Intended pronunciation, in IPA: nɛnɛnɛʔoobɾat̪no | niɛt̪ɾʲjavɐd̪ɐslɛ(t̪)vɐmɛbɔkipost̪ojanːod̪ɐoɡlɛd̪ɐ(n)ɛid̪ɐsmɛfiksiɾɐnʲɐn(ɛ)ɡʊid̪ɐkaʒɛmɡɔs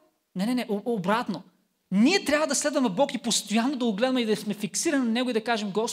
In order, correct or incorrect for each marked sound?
incorrect, incorrect, correct

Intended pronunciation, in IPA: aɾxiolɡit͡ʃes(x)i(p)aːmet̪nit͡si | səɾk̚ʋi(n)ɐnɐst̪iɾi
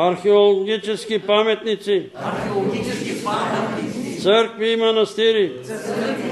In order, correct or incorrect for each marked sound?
incorrect, correct, incorrect

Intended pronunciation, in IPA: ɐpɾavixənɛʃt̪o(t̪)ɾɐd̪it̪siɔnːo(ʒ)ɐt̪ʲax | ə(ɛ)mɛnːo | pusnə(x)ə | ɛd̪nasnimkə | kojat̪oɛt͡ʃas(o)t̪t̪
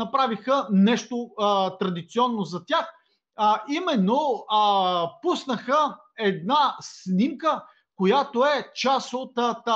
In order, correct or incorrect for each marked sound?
correct, incorrect, incorrect, correct, correct

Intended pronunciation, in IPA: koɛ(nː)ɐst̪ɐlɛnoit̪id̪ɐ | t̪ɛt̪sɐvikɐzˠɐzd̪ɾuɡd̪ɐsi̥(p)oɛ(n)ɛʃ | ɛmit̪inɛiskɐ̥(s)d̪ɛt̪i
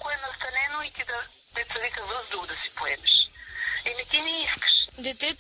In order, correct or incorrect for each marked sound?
incorrect, correct, incorrect, incorrect

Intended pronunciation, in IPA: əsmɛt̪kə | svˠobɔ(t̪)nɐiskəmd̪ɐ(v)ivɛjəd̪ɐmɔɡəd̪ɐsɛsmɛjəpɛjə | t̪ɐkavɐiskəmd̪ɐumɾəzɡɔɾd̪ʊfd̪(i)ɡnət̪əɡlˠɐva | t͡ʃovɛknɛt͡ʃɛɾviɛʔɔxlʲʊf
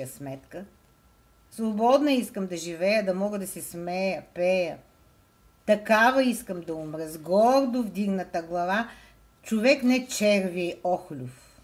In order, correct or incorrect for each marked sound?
incorrect, incorrect, correct

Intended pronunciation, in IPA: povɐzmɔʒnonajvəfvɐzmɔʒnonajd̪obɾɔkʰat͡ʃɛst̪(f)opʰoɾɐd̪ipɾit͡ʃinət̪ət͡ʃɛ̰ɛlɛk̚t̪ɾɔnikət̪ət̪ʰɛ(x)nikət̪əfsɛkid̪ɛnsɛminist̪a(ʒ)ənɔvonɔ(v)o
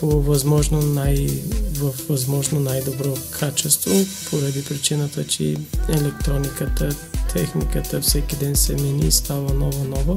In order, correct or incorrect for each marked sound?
incorrect, correct, incorrect, correct

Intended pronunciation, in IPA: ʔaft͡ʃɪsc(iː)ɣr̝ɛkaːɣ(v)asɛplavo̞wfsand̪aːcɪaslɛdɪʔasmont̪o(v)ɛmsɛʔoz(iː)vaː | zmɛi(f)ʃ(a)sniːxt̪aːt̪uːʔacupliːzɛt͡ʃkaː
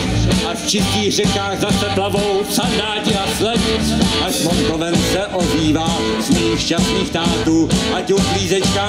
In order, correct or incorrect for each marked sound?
correct, incorrect, correct, correct, incorrect, correct

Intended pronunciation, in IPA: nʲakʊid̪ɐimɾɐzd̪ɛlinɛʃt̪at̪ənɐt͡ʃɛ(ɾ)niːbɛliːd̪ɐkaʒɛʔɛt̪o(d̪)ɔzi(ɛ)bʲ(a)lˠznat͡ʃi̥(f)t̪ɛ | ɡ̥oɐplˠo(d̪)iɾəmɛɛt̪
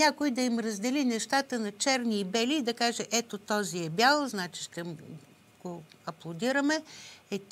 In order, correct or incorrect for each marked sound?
correct, incorrect, correct, correct, incorrect, correct

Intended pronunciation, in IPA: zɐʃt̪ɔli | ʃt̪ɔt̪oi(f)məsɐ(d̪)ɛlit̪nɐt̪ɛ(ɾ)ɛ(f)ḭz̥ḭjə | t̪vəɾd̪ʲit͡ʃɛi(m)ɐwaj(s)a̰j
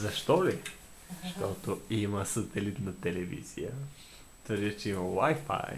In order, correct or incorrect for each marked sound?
incorrect, incorrect, incorrect, incorrect, correct, incorrect

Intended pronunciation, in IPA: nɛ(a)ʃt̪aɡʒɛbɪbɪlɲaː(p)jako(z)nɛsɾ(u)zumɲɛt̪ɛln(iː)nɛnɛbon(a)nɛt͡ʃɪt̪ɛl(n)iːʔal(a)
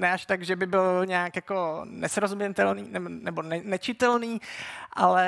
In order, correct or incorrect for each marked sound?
correct, incorrect, incorrect, incorrect, correct, incorrect, correct, incorrect

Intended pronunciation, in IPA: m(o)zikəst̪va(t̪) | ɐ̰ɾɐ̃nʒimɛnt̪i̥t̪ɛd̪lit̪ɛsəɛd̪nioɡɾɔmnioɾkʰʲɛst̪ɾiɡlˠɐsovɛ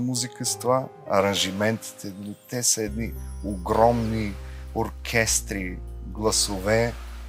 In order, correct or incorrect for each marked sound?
incorrect, incorrect

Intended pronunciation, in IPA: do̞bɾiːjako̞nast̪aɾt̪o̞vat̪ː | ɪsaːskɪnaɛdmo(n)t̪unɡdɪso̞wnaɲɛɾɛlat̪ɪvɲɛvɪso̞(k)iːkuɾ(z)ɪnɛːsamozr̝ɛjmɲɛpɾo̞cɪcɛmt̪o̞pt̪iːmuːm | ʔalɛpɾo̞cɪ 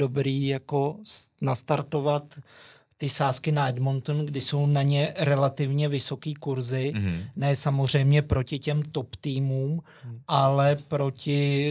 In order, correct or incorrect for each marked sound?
correct, correct, correct

